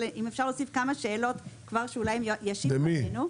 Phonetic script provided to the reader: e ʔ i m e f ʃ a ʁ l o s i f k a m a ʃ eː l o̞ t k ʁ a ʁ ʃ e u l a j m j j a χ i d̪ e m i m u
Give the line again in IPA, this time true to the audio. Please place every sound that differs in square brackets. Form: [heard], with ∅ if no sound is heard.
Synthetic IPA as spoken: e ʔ i m e f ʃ a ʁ l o s i f k a m a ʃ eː l o̞ t k [v] a ʁ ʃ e u l a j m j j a [ʃ] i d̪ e m i [n] u